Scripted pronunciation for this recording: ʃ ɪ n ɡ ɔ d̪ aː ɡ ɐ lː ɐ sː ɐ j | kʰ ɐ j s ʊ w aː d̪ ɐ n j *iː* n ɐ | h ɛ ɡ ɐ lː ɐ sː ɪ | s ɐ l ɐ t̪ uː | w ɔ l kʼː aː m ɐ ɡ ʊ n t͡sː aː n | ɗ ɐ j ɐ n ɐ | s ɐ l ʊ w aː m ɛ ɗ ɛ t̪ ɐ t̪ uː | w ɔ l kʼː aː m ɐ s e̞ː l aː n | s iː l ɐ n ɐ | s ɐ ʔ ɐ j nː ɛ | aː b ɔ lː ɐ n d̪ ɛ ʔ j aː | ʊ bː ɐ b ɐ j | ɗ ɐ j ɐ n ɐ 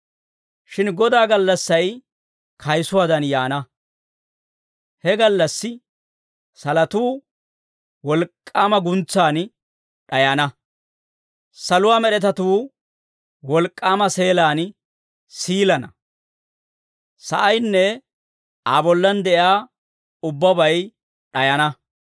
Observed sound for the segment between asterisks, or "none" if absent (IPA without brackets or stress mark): aː